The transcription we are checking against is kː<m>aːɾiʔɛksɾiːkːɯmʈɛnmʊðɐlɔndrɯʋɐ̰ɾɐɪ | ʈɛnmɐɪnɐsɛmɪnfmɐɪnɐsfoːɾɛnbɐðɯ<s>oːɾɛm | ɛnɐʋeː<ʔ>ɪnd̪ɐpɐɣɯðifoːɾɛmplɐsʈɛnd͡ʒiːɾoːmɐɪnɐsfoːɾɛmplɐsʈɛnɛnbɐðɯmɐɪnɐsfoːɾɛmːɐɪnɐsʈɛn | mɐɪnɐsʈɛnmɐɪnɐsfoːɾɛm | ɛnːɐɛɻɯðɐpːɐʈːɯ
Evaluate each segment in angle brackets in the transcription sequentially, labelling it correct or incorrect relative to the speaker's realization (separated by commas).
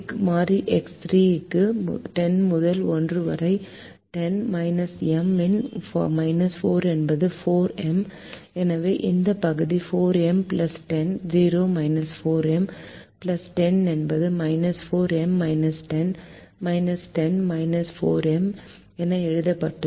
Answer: correct, incorrect, correct